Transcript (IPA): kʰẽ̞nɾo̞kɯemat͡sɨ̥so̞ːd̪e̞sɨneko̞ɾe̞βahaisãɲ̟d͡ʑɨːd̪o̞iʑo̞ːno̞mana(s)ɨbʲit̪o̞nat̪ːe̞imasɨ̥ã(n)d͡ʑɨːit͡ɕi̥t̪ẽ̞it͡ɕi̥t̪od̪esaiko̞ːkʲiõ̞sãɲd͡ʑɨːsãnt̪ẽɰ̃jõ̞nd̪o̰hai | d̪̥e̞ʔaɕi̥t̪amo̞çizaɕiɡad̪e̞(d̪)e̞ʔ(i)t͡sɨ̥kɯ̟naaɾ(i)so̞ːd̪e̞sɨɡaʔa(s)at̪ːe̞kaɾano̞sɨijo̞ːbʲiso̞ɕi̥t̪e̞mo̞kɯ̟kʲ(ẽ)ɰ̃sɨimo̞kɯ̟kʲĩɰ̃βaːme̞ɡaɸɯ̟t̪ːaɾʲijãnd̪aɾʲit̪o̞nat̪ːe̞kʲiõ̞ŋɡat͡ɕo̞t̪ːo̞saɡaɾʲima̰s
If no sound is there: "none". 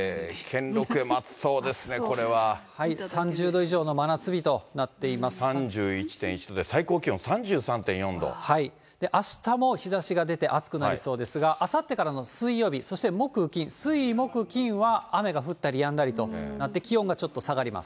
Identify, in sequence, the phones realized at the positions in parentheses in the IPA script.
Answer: t͡s, ɲ, t̪, a, i, s, ĩ

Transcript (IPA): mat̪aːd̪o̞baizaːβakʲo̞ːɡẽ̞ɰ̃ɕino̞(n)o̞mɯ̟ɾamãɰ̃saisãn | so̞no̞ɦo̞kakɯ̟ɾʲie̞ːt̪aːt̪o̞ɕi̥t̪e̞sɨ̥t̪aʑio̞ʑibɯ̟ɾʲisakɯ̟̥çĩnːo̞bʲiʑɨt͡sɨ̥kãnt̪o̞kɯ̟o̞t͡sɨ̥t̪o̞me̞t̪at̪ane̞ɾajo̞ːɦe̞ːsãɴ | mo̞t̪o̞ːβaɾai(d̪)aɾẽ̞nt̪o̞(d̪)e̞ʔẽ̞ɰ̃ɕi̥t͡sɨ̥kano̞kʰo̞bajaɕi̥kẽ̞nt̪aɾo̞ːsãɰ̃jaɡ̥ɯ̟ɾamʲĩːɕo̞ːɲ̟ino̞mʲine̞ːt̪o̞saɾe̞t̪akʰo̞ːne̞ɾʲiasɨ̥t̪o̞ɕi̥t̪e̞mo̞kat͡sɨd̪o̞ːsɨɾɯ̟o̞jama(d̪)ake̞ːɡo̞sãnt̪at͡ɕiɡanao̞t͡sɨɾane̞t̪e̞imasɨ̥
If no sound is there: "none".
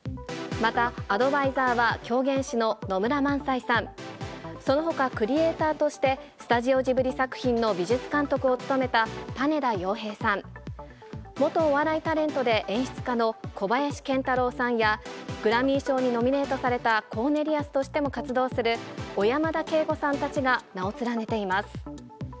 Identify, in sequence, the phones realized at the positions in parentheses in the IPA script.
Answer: n, t̪, d̪, d̪

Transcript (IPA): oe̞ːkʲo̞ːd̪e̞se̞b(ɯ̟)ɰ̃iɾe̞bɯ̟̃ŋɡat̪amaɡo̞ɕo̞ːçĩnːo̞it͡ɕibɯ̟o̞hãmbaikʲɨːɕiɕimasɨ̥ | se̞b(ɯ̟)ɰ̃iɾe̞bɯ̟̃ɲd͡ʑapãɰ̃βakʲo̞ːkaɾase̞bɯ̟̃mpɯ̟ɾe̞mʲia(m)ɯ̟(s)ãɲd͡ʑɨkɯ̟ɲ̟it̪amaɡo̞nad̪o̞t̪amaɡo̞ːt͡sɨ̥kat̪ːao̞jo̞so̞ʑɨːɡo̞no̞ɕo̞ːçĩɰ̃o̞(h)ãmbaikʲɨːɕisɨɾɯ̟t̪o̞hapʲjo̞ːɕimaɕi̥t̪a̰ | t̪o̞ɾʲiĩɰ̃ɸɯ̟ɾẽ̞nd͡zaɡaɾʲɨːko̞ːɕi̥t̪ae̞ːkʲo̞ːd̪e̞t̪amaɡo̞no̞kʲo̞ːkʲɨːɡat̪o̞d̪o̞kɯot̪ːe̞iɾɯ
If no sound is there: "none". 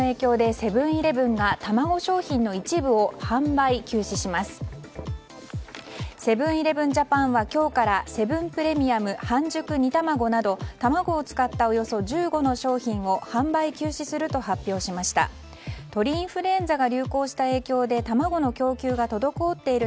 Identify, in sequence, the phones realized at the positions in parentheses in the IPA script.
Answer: ɯ̟̃, ɯ̟̃, m, h, h

